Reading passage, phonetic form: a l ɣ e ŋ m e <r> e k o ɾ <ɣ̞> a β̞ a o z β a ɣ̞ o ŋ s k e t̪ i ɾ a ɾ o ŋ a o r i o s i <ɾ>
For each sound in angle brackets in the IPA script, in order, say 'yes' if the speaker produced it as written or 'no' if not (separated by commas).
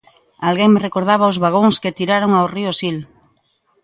yes, no, no